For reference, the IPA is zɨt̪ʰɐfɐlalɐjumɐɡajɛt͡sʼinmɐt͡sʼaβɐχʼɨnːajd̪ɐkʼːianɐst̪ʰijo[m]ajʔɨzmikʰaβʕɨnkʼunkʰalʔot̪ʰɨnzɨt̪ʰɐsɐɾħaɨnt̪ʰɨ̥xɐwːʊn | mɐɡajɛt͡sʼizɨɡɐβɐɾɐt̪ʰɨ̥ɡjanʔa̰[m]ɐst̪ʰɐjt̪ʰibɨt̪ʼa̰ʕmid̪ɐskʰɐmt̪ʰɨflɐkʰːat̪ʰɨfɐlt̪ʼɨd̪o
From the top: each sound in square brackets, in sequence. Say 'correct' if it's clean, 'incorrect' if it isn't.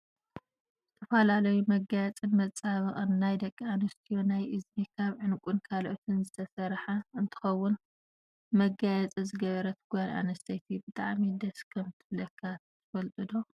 incorrect, incorrect

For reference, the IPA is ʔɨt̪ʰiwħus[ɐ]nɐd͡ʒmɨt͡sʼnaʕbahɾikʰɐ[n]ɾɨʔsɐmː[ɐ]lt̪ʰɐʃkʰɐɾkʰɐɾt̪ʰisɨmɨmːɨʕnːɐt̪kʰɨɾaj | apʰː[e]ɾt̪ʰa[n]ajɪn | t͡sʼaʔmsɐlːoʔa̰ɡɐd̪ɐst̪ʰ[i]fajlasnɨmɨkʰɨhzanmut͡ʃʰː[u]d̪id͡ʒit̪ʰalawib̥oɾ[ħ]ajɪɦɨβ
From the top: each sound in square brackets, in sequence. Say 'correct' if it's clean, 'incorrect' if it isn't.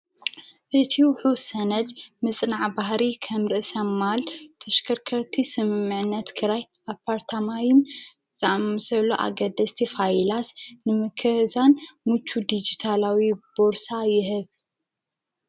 correct, incorrect, incorrect, incorrect, incorrect, correct, correct, incorrect

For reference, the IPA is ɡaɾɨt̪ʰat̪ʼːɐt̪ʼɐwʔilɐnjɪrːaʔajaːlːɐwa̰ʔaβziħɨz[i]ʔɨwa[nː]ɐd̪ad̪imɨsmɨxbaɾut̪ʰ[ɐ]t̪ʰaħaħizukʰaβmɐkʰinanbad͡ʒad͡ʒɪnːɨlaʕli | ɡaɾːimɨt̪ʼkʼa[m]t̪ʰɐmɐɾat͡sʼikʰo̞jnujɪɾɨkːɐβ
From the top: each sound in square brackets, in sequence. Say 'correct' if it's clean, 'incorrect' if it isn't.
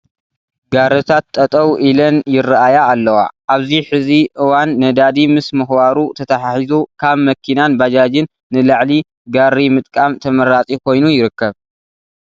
correct, correct, correct, correct

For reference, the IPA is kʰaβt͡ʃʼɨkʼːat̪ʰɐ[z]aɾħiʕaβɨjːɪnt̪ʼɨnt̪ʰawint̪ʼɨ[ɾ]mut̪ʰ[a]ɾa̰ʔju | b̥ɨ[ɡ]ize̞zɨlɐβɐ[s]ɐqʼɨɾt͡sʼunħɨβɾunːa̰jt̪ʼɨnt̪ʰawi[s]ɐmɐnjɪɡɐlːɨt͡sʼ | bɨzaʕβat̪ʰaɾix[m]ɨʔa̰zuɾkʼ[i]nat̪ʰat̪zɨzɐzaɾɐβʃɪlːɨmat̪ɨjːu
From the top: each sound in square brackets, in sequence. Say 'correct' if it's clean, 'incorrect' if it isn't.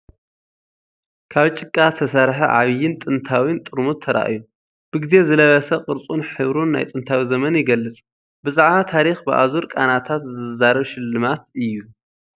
incorrect, correct, incorrect, correct, correct, incorrect, incorrect, incorrect

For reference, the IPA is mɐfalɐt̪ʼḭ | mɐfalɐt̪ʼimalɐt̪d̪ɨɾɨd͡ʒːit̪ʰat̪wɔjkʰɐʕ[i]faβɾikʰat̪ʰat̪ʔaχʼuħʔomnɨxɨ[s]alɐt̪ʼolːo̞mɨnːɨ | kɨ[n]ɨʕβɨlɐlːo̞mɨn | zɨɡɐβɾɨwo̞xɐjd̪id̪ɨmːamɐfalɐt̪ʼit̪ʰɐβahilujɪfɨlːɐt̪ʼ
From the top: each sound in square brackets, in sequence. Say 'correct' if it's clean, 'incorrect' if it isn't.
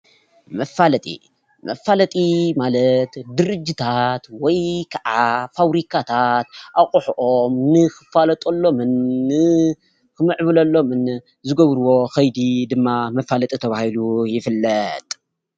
incorrect, incorrect, incorrect

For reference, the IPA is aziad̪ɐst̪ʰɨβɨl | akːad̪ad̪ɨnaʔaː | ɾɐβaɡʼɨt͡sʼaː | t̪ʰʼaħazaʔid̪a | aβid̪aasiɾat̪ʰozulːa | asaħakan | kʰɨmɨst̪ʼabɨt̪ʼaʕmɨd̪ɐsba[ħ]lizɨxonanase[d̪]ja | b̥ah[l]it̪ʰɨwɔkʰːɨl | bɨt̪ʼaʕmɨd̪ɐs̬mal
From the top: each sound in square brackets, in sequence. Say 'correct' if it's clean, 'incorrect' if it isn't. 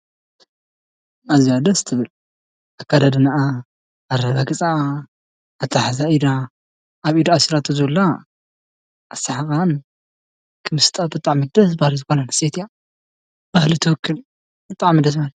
incorrect, incorrect, correct

